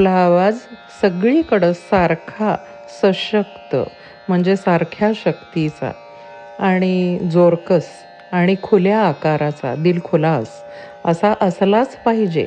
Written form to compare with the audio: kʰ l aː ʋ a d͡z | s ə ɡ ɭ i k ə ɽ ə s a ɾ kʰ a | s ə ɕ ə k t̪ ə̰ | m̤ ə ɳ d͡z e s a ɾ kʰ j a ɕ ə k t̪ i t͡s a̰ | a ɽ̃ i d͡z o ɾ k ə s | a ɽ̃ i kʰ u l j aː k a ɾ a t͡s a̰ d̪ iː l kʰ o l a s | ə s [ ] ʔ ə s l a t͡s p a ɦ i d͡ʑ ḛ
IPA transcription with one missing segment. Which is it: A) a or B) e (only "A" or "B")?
A